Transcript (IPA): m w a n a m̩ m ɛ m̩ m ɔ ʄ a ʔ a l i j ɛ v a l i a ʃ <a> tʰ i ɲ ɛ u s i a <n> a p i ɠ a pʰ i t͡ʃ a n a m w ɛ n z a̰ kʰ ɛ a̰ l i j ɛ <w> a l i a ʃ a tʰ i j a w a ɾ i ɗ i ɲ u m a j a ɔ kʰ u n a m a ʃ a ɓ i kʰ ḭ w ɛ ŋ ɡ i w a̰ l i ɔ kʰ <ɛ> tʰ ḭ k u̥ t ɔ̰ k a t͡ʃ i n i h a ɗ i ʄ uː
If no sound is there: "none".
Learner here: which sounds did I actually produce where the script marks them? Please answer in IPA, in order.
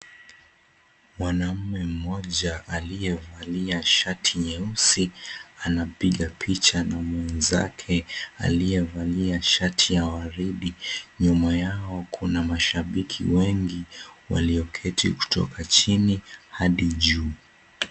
a, n, v, ɛ

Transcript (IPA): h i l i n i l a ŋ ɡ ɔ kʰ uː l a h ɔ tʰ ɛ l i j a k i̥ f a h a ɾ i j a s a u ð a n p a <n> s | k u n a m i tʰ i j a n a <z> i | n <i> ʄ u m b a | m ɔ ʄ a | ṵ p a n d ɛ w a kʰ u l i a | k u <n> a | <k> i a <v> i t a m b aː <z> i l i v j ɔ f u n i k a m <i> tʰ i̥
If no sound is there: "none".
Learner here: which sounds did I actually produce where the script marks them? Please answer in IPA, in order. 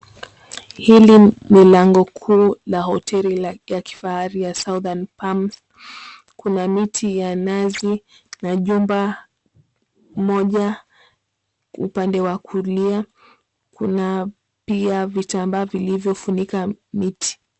m, z, a, n, p, v, v, i

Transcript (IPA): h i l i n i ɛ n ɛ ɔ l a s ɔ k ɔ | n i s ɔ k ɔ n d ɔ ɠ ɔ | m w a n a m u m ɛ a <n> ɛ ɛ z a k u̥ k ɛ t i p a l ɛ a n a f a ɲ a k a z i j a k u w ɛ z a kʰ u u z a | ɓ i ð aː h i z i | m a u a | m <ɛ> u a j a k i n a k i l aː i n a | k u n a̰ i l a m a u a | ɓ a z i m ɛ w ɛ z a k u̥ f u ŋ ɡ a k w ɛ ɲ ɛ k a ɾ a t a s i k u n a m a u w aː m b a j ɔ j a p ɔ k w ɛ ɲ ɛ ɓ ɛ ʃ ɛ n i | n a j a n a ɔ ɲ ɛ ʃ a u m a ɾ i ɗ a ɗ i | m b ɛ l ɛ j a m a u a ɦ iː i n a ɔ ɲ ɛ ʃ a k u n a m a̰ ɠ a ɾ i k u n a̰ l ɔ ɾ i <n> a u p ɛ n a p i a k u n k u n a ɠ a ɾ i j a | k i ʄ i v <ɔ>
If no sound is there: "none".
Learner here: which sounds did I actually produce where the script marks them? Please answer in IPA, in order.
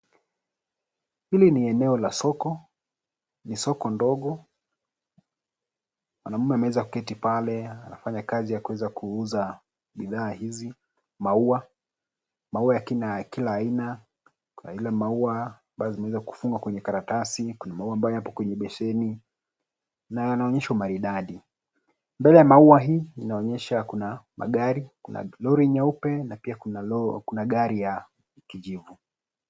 m, a, ɲ, u

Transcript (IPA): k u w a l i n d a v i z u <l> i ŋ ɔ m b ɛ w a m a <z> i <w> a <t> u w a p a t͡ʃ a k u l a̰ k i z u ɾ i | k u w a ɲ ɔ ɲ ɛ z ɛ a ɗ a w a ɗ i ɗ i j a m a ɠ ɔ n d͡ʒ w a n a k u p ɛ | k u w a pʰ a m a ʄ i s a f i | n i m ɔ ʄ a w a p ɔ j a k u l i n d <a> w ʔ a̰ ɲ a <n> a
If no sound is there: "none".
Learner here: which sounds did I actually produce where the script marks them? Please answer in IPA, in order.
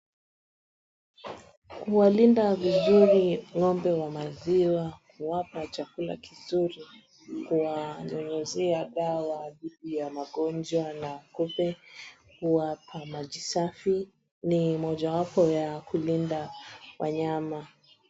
ɾ, z, w, k, a, m

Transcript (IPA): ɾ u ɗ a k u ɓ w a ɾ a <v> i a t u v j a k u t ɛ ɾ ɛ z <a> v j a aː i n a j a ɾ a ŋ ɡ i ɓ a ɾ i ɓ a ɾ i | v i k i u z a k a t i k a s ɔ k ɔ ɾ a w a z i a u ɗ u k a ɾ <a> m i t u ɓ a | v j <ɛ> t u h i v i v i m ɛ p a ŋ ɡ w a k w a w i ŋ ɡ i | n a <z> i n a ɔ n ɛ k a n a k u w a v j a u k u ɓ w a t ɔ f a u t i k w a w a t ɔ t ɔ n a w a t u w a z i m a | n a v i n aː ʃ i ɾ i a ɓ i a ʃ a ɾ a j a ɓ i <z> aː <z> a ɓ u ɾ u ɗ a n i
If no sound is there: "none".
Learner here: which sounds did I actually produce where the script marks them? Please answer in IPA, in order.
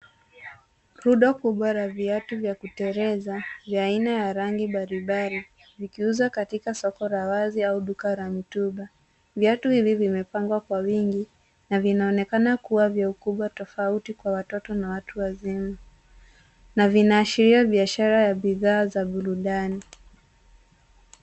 v, a, a, a, v, ð, z

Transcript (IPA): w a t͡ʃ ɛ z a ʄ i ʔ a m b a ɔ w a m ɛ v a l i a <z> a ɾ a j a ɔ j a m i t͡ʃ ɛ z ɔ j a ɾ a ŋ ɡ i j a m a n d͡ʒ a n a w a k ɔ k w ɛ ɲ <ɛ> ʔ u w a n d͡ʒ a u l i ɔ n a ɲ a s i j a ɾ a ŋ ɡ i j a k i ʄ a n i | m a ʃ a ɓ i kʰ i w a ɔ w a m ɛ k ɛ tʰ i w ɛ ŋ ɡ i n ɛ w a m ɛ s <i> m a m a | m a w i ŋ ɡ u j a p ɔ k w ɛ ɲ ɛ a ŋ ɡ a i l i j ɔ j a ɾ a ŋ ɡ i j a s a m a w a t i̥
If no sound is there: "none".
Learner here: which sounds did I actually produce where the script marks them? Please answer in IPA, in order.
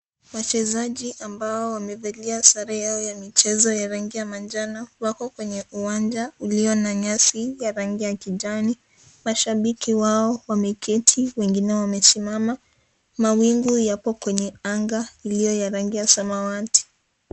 s, ɛ, i

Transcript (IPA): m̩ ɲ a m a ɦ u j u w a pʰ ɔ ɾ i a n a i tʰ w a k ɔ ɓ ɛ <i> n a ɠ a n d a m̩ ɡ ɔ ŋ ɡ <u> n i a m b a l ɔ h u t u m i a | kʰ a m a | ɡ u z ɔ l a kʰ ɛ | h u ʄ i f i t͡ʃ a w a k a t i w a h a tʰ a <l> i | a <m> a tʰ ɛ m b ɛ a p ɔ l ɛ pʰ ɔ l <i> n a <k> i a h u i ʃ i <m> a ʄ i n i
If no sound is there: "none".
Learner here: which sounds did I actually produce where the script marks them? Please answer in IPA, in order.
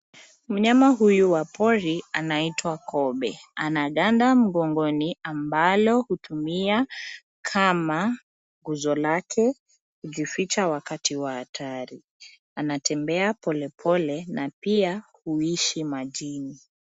a, ɔ, ɾ, n, ɛ, p, m

